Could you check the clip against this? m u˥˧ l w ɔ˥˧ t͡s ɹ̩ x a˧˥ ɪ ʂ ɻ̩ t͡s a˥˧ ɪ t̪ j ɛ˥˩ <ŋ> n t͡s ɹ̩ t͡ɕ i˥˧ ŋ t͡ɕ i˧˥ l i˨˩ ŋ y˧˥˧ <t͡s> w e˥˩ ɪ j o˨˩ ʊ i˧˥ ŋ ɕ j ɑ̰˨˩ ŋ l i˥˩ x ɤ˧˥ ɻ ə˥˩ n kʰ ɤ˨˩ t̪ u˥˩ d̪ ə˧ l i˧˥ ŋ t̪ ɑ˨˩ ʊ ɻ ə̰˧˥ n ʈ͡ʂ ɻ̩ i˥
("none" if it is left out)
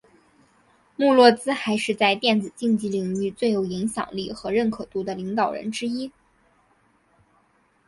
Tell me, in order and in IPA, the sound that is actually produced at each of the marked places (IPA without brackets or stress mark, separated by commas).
none, t͡s